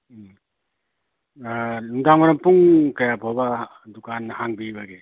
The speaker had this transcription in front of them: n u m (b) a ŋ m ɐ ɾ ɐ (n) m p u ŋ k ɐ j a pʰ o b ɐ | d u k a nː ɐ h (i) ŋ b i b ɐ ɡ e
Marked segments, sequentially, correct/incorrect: incorrect, incorrect, incorrect

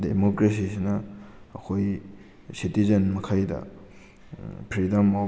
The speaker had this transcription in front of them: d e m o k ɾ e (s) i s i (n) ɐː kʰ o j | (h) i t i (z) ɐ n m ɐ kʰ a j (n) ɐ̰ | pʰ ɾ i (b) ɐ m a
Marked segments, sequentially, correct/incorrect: correct, correct, incorrect, correct, incorrect, incorrect

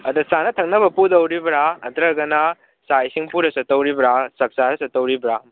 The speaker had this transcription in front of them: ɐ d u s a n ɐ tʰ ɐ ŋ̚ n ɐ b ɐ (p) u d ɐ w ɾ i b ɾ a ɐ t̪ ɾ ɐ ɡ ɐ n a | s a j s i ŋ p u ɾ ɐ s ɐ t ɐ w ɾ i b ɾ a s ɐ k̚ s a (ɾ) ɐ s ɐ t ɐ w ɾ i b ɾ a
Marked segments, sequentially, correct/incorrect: correct, correct

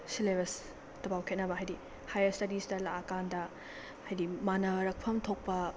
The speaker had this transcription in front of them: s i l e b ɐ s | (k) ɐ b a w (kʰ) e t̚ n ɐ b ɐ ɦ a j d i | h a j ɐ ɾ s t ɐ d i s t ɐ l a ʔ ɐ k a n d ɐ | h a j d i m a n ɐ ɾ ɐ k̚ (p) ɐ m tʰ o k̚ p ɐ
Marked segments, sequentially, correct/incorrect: incorrect, correct, incorrect

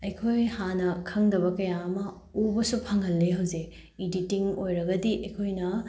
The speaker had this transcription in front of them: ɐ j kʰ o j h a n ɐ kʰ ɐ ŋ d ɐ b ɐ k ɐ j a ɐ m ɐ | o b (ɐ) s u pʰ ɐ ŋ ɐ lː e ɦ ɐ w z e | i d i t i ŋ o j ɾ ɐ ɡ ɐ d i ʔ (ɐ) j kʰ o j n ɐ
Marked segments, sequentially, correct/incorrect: correct, correct

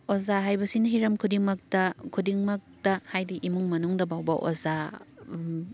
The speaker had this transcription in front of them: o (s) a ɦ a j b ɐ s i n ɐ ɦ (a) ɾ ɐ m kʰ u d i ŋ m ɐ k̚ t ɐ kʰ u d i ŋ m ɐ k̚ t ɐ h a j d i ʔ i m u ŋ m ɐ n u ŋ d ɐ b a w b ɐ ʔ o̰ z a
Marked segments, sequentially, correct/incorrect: incorrect, incorrect

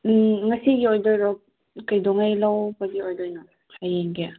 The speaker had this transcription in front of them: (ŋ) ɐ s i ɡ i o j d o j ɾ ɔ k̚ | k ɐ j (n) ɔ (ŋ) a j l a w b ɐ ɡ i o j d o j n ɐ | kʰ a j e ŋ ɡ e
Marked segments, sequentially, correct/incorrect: correct, incorrect, correct

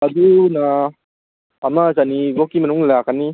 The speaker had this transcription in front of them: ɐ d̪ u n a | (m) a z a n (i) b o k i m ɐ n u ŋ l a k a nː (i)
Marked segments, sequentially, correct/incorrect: correct, correct, correct

